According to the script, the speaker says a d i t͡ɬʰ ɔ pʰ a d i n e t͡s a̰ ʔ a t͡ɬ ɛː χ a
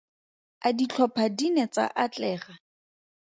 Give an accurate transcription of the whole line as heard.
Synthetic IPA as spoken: a d i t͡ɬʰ ɔ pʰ a d i n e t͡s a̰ ʔ a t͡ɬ ɛː χ a